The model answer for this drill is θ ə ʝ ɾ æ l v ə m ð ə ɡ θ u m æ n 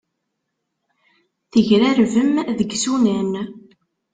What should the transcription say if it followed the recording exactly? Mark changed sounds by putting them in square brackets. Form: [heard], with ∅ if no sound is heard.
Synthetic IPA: θ ə ʝ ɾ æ [ɾ] v ə m ð ə ɡ [s] u [n] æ n